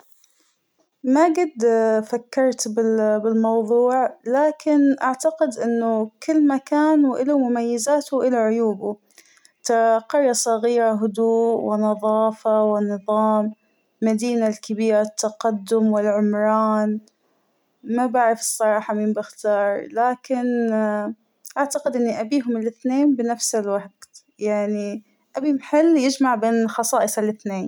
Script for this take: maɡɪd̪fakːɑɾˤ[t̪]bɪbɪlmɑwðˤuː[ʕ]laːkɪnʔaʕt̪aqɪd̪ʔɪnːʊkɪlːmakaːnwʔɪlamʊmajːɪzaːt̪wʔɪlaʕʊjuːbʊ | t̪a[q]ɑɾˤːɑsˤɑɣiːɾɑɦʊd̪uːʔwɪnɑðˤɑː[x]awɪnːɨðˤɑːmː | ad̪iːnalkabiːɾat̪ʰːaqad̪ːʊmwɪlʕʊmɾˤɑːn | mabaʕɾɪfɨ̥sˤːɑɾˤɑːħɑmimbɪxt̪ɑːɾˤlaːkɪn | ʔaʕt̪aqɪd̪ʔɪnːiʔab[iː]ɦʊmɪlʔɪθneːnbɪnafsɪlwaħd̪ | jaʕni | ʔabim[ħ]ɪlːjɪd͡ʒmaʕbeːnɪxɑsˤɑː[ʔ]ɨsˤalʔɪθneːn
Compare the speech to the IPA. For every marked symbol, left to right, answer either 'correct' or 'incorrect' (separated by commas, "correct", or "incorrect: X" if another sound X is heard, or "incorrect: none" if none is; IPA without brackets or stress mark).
correct, correct, correct, incorrect: f, correct, correct, correct